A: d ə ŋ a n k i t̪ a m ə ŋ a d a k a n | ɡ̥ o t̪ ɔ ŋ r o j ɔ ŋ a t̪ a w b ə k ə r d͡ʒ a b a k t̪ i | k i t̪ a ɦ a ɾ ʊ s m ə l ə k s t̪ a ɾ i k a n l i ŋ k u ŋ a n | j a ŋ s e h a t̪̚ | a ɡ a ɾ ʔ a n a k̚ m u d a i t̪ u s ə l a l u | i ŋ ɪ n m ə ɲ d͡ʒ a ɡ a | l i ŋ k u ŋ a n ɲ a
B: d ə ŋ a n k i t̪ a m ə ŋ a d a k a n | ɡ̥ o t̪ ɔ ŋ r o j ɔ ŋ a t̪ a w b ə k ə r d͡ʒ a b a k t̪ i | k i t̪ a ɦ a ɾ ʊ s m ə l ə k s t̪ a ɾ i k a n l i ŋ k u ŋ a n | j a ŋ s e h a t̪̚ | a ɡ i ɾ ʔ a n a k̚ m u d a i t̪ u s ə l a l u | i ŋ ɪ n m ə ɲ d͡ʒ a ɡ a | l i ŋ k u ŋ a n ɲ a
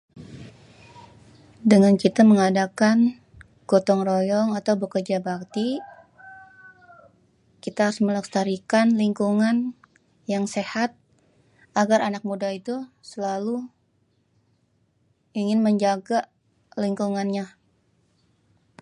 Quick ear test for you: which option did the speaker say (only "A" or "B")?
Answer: A